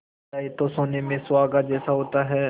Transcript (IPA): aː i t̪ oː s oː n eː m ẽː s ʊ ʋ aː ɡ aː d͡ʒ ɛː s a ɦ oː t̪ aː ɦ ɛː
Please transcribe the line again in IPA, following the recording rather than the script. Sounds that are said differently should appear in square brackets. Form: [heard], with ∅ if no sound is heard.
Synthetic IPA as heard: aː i t̪ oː s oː n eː m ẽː s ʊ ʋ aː ɡ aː d͡ʒ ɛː s a ɦ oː t̪ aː ɦ ɛː